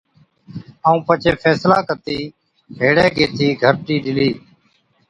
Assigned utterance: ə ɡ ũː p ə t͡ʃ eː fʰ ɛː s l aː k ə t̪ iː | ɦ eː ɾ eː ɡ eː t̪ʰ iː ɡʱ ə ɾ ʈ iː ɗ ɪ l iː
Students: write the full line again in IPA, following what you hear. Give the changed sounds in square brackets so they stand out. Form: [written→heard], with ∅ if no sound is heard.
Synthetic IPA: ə [ɡ→∅] ũː p ə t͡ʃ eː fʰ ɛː s l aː k ə t̪ iː | ɦ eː [ɾ→ɽ] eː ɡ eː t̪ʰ iː ɡʱ ə ɾ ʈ iː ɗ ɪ l iː